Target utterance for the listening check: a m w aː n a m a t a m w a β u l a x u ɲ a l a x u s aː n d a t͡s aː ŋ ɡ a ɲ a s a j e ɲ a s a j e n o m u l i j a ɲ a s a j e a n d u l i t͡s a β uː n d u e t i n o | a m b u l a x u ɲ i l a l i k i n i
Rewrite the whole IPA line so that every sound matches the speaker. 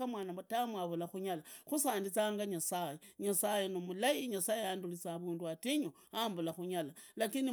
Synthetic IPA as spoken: a m w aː n a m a t a m w a β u l a x u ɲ a l a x u s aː n d i t͡s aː ŋ ɡ a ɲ a s a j e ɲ a s a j e n o m u l a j i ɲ a s a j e a n d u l i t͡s a β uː n d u a t i ɲ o | a m b u l a x u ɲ a l a l a k i n i